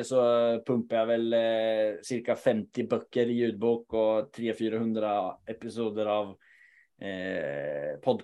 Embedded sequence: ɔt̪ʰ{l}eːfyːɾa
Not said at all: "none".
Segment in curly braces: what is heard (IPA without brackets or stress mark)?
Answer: ɾ